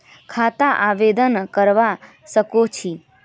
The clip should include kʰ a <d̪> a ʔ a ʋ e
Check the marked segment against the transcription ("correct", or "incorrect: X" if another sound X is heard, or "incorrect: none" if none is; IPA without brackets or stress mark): incorrect: t̪